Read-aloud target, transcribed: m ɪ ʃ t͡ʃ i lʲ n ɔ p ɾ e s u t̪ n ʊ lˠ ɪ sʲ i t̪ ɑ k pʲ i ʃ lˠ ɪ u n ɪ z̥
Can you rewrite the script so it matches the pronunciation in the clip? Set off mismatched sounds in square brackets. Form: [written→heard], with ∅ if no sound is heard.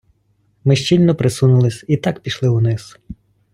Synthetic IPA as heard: m ɪ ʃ t͡ʃ i lʲ n ɔ p ɾ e s u [t̪→∅] n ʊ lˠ ɪ sʲ i t̪ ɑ k pʲ i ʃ lˠ ɪ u n ɪ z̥